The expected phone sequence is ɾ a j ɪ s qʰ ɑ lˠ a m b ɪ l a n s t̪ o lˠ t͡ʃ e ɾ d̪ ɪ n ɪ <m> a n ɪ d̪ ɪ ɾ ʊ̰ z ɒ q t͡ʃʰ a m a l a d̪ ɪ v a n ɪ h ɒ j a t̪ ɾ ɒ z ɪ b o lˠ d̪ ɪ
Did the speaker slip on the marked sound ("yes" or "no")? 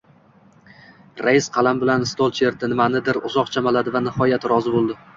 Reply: no